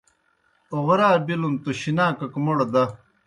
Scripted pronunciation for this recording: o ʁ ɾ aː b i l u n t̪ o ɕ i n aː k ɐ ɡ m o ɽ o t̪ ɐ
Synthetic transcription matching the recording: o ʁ ɾ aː b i l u n t̪ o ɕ i n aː k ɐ k m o ɽ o d̪ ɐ

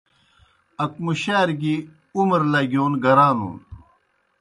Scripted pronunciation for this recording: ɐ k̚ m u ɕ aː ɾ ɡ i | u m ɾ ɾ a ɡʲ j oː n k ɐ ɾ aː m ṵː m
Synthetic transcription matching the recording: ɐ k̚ m u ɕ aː ɾ ɡ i | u m ɾ l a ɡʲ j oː n ɡ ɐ ɾ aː n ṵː n

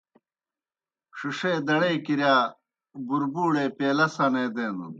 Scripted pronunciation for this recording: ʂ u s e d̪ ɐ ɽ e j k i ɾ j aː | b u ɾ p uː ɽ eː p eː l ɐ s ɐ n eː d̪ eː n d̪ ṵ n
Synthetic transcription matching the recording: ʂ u ʂ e d̪ ɐ ɽ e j k i ɾ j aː | b u ɾ b uː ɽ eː p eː l ɐ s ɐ n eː d̪ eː n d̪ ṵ n

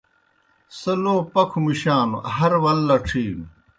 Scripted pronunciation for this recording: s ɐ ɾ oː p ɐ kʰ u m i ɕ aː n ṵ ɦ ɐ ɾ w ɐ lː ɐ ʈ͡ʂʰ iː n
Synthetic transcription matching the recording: s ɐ l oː p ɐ kʰ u m i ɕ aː n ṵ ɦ ɐ ɾ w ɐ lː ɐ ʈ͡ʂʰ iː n

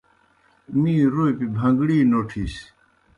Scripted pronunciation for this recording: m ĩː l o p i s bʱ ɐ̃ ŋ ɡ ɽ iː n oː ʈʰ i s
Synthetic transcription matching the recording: m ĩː ɾ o p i bʱ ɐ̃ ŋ ɡ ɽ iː n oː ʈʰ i s

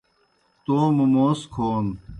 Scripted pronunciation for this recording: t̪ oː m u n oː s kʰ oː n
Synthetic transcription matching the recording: t̪ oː m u m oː s kʰ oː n

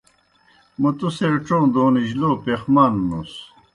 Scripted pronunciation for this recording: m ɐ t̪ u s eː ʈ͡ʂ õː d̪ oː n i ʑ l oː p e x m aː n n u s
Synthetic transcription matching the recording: m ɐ t̪ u s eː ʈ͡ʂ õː d̪ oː n i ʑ l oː p e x m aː n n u s

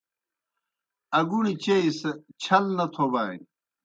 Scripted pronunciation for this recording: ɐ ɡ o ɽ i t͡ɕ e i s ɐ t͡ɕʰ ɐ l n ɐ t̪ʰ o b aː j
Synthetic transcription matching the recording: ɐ ɡ u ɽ i t͡ɕ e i s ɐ t͡ɕʰ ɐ l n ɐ t̪ʰ o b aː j

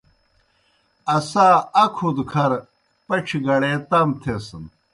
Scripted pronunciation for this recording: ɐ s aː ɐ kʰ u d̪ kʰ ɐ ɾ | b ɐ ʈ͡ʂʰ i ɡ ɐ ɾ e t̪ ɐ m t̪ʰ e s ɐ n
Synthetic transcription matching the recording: ɐ s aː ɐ kʰ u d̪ kʰ ɐ ɾ | p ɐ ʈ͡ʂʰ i ɡ ɐ ɽ e t̪ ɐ m t̪ʰ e s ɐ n

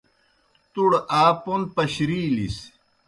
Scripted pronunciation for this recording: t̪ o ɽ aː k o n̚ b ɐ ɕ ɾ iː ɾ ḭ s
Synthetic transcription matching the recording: t̪ u ɽ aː p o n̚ p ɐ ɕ ɾ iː l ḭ s

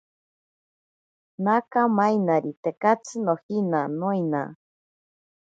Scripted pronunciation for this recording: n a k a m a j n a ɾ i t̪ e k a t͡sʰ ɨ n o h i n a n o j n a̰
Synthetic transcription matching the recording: n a k a m a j n a ɾ i t̪ e k a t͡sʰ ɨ n o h i n a n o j n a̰

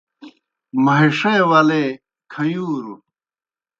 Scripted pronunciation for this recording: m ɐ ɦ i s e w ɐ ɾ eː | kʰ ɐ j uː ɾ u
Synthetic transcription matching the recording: m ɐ ɦ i ʂ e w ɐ l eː | kʰ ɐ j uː ɾ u

